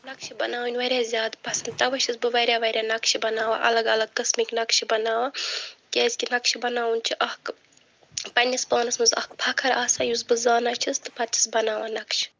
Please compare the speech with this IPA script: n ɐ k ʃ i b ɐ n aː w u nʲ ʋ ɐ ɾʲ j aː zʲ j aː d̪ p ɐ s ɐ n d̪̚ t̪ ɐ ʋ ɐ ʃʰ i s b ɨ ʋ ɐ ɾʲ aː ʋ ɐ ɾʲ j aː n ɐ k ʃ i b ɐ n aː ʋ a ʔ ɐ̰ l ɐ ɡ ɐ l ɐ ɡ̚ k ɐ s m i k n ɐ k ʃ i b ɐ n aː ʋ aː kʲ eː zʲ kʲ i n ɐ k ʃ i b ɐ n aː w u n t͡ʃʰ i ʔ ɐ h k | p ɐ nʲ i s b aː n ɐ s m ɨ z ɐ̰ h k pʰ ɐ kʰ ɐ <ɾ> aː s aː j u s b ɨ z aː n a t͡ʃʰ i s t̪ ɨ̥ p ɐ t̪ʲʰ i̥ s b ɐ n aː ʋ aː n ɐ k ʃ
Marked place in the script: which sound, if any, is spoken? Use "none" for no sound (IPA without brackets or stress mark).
ɾ